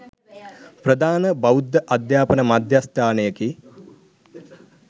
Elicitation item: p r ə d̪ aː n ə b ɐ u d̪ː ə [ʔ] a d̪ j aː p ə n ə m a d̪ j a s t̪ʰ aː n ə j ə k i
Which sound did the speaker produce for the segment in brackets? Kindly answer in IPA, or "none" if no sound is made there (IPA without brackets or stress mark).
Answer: ʔ